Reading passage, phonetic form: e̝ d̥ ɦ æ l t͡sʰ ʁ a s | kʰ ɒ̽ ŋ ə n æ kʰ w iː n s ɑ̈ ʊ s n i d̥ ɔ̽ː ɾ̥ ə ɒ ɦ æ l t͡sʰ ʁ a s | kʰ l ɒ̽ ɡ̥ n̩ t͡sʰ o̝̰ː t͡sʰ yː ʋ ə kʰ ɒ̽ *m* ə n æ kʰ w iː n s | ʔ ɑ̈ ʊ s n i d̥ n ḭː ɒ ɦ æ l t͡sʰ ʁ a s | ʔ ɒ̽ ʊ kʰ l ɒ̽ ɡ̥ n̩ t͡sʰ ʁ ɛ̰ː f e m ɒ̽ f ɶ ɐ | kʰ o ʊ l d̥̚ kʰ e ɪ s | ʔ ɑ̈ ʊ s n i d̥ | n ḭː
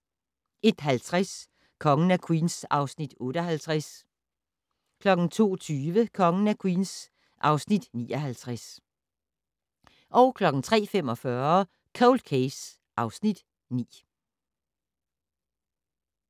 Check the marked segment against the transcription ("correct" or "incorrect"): incorrect